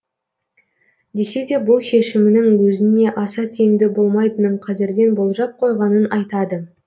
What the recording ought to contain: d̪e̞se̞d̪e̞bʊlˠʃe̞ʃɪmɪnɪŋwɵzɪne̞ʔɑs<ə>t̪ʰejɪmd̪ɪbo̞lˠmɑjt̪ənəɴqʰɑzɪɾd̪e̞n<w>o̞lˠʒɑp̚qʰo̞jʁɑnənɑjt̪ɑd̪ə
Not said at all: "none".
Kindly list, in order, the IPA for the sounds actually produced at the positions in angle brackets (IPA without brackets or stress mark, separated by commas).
ɑ, b